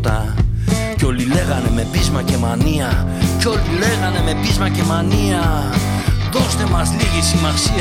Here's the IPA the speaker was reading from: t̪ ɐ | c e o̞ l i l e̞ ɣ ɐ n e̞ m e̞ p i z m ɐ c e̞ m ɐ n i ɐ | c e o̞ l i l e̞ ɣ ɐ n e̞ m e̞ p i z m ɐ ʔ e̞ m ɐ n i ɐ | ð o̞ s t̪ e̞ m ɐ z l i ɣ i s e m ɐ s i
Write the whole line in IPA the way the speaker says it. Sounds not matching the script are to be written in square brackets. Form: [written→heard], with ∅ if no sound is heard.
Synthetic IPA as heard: t̪ ɐ | c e o̞ l i l e̞ ɣ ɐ n e̞ m e̞ p i z m ɐ c e̞ m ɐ n i ɐ | c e o̞ l i l e̞ ɣ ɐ n e̞ m e̞ p i z m ɐ [ʔ→c] e̞ m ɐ n i ɐ | ð o̞ s t̪ e̞ m ɐ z l i ɣ i s [e→i] m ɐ s i